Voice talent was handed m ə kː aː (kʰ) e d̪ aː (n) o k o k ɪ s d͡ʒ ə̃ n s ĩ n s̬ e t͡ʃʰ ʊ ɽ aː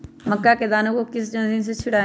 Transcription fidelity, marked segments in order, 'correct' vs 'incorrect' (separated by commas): incorrect, correct